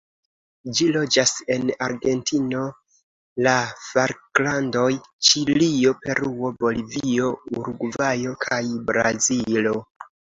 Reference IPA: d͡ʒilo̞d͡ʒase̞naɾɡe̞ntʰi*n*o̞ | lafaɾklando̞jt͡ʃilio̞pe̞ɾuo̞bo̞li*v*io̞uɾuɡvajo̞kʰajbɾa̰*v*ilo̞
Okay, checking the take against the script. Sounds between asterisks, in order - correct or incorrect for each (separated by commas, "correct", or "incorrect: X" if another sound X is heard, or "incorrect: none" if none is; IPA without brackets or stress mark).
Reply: correct, correct, incorrect: z